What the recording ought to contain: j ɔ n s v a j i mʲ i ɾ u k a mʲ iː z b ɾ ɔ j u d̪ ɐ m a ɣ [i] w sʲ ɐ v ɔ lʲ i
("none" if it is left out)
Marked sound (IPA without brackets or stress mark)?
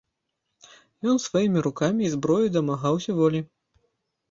a